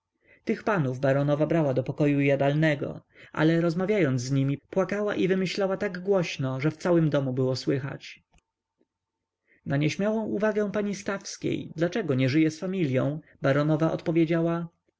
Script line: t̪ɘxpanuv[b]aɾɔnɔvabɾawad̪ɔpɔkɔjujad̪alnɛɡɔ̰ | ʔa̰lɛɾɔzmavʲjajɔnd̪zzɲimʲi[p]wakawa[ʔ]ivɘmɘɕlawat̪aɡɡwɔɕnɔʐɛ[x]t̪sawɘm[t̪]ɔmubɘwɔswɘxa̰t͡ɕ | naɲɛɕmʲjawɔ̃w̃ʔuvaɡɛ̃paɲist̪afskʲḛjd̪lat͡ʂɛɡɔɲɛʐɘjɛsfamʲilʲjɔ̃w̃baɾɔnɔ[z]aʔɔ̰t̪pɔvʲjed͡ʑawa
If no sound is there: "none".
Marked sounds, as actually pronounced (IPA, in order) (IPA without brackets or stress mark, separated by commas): b, p, ʔ, f, d̪, v